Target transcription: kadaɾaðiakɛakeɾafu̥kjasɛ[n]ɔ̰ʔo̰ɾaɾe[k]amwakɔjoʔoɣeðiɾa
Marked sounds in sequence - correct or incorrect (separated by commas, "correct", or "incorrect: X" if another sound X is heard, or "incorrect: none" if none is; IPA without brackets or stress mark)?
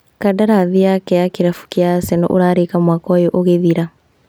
correct, correct